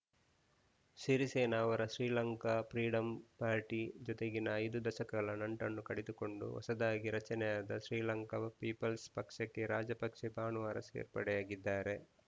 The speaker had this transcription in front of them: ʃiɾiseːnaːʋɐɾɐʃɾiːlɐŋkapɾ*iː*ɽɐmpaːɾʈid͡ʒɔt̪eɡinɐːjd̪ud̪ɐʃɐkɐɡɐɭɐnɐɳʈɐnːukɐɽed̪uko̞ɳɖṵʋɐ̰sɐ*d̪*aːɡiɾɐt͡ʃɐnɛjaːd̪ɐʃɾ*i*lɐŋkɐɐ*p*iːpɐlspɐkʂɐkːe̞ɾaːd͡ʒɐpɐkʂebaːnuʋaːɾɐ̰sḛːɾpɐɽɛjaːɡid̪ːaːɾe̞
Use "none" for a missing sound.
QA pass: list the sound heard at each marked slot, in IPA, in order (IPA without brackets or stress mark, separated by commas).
iː, d̪, iː, p